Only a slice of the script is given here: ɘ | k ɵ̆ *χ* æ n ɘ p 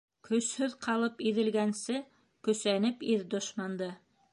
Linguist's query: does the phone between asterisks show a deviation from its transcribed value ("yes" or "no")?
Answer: yes